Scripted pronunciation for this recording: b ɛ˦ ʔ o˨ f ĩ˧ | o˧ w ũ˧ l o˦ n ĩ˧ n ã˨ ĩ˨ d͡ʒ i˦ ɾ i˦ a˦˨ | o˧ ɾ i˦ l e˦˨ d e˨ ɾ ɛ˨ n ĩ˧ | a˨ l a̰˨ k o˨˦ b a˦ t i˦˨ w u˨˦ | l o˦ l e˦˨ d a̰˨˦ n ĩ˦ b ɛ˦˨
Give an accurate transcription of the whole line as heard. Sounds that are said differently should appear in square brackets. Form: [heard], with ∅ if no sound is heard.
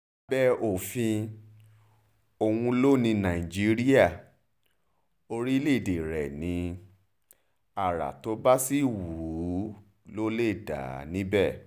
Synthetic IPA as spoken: b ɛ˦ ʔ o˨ f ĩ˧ | o˧ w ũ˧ l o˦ n ĩ˧ n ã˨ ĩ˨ d͡ʒ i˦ ɾ i˦ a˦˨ | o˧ ɾ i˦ l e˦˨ d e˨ ɾ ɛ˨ n ĩ˧ | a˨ [ɾ] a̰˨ [t] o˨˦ b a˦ [s] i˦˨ w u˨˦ | l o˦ l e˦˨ d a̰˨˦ n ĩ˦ b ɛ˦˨